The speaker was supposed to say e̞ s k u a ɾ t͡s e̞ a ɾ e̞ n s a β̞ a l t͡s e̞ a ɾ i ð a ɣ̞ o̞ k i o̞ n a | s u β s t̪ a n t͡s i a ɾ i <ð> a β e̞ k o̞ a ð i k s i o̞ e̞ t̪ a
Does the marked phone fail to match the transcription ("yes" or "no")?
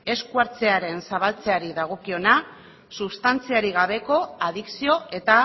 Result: yes